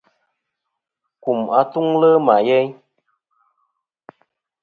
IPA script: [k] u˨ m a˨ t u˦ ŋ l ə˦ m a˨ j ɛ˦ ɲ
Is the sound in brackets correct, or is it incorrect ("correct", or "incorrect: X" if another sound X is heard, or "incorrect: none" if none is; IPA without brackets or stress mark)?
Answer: correct